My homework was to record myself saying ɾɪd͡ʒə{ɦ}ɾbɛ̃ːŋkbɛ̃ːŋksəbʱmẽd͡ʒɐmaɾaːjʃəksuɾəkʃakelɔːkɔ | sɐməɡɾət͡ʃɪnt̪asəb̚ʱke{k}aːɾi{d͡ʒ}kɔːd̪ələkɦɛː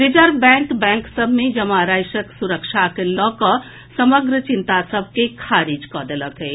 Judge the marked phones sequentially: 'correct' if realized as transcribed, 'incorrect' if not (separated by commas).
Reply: incorrect, incorrect, correct